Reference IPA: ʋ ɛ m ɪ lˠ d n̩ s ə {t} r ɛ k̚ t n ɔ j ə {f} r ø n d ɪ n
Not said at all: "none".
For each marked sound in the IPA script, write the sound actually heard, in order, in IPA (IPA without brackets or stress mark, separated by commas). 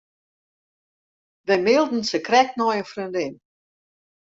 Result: k, f